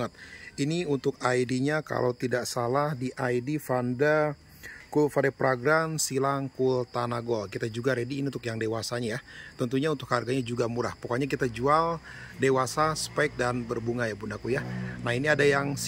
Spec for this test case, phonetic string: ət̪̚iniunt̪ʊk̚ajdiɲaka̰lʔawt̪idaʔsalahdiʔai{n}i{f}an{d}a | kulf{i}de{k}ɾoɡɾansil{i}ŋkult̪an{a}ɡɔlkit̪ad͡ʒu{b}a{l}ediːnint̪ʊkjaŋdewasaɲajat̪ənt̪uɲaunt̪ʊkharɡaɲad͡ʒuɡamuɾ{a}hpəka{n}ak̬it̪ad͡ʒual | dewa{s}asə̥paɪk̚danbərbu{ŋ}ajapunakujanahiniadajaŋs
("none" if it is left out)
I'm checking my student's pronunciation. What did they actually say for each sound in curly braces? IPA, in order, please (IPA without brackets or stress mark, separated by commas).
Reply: d, f, d, a, p, a, a, ɡ, ɾ, a, ɲ, s, ŋ